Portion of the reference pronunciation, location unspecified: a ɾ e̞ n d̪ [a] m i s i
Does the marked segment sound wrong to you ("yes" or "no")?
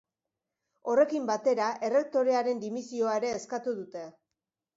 yes